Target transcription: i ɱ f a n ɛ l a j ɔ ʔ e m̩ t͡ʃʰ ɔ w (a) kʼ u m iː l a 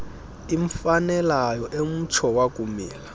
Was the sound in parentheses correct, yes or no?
yes